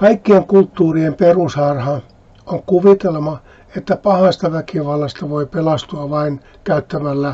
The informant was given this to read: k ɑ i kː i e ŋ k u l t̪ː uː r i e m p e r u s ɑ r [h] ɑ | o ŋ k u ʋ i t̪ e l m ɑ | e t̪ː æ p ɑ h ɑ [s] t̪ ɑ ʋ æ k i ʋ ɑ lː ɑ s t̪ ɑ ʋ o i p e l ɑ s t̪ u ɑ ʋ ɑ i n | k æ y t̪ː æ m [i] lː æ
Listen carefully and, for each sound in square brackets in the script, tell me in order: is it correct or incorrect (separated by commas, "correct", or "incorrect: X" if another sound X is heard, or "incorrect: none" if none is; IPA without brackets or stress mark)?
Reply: correct, correct, incorrect: æ